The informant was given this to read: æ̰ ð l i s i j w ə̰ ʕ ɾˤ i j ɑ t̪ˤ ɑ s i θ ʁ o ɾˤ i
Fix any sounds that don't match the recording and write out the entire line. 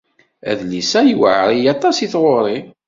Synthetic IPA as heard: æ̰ ð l i s æ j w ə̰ ʕ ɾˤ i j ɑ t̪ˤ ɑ s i θ ʁ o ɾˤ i

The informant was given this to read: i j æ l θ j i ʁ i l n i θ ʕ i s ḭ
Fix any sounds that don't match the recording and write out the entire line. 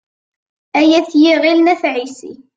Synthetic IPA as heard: æ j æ θ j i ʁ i l n æ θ ʕ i s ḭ

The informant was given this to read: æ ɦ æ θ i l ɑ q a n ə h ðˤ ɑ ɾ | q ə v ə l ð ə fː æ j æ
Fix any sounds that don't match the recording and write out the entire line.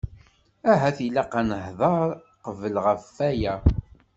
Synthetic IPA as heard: æ ɦ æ θ i l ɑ q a n ə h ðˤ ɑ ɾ | q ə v ə l ʁ ə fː æ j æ

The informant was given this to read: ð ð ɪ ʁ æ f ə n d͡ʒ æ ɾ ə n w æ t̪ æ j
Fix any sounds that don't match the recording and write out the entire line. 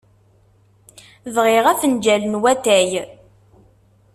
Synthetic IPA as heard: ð ʁ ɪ ʁ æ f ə n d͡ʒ æ l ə n w æ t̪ æ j

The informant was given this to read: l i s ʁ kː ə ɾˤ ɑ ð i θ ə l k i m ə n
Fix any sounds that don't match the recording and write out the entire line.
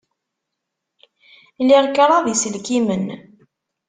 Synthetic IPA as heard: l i ʁ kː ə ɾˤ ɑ ð i s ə l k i m ə n

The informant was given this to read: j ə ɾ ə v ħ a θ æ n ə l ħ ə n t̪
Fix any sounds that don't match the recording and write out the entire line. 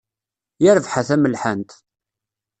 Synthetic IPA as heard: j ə ɾ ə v ħ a θ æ m ə l ħ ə n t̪

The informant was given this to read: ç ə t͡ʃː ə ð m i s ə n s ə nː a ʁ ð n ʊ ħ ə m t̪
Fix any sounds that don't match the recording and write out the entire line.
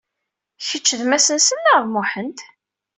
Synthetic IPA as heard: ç ə t͡ʃː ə ð m æ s ə n s ə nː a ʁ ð m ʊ ħ ə n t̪

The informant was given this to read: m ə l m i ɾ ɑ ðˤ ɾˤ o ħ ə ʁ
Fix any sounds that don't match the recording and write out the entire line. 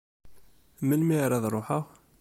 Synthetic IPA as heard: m ə l m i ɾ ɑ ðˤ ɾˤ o ħ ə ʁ

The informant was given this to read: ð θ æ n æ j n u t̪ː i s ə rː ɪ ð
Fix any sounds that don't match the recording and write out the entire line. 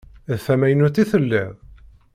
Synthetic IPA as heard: ð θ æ m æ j n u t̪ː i θ ə lː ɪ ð

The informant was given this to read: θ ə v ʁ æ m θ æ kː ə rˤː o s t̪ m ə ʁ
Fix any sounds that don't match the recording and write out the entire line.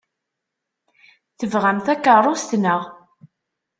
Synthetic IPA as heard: θ ə v ʁ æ m θ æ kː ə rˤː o s t̪ n ə ʁ

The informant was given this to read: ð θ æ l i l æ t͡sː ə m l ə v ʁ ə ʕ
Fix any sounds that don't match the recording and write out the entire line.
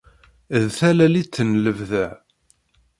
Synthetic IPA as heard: ð θ æ l æ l i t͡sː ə n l ə v ð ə ʕ

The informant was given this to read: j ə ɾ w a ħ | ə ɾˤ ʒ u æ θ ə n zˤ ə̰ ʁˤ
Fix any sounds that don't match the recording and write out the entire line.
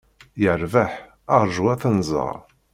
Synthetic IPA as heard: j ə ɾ v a ħ | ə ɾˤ ʒ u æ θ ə n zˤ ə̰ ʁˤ

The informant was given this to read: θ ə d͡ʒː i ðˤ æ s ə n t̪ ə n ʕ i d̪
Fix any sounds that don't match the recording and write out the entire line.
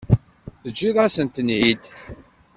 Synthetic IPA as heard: θ ə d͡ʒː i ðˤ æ s ə n t̪ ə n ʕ i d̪

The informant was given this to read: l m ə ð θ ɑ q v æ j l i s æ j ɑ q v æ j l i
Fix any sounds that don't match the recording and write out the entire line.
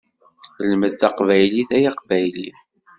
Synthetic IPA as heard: l m ə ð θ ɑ q v æ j l i θ æ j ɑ q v æ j l i

